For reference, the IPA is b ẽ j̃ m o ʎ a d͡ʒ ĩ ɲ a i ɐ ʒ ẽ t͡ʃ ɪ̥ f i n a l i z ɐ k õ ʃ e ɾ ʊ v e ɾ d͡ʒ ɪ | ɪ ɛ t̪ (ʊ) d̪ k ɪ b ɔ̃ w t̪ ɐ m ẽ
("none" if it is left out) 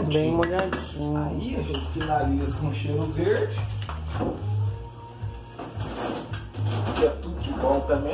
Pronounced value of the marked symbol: u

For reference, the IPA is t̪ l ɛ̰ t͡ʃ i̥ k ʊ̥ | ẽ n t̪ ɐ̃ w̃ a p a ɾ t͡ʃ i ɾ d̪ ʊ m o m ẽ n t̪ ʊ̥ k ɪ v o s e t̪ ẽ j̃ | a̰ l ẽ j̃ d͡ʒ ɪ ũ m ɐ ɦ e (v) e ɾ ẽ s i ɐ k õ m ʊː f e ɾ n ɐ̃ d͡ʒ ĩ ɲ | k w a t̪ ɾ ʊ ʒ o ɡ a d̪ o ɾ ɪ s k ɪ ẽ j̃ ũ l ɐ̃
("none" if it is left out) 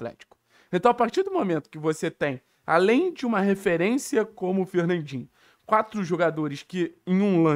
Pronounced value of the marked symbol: f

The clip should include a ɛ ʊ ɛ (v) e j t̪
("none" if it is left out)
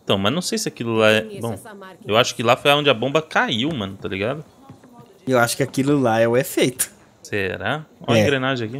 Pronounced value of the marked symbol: f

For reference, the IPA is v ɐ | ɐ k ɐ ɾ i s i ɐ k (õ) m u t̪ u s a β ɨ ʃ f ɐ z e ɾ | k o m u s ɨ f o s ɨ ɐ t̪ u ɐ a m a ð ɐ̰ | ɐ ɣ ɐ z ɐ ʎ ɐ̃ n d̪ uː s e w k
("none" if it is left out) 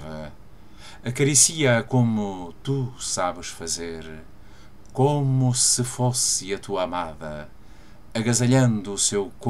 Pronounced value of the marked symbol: o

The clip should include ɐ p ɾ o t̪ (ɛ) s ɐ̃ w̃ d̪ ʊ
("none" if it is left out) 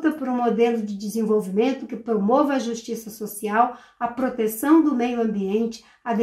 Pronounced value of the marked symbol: e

